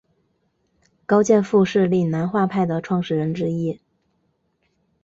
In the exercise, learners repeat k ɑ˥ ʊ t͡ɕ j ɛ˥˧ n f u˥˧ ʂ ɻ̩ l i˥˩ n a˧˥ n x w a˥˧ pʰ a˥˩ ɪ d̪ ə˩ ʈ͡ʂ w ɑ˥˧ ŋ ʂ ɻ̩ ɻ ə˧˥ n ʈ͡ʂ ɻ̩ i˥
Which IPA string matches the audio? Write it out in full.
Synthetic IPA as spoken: k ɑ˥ ʊ t͡ɕ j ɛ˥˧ n f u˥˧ ʂ ɻ̩ l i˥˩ n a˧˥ n x w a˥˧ pʰ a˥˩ ɪ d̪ ə˩ ʈ͡ʂʰ w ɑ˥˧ ŋ ʂ ɻ̩ ɻ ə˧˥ n ʈ͡ʂ ɻ̩ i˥